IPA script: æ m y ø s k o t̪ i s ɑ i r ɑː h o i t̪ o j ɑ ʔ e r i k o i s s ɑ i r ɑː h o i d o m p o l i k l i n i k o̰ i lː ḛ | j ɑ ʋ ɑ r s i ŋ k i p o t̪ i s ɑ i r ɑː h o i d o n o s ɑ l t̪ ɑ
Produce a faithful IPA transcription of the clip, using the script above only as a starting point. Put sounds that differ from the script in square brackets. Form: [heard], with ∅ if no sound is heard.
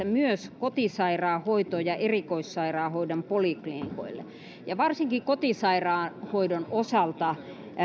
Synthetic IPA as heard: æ m y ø s k o t̪ i s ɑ i r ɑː h o i t̪ o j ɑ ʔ e r i k o i s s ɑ i r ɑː h o i d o m p o l i k l i n i k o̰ i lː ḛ | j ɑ ʋ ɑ r s i ŋ k i [k] o t̪ i s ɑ i r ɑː h o i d o n o s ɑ l t̪ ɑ